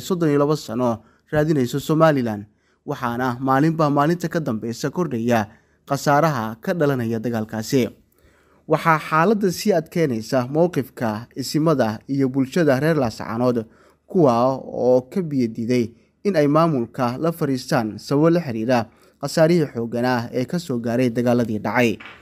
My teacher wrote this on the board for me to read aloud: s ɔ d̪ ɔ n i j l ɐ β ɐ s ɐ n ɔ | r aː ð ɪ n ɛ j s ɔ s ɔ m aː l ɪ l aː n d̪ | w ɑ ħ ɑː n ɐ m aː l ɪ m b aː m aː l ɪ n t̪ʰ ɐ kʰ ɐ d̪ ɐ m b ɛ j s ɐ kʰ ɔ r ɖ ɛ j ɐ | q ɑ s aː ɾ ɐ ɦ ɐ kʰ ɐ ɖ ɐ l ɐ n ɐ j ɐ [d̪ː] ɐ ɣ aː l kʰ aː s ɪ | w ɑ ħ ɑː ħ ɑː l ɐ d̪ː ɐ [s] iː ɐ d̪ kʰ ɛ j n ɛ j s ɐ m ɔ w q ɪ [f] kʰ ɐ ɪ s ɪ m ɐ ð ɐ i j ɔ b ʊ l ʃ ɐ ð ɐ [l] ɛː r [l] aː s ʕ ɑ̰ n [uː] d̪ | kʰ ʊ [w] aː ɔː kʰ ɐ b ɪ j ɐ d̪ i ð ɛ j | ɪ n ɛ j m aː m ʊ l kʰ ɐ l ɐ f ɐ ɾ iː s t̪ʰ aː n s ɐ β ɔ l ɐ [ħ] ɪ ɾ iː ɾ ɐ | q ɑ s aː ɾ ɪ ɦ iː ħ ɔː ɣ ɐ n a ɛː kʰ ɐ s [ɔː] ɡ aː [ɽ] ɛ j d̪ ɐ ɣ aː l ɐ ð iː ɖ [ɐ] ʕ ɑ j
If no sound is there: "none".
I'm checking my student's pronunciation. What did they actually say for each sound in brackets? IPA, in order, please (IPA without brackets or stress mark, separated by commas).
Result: d̪, s, f, r, l, ɔː, w, ħ, ɔː, ɾ, ɑ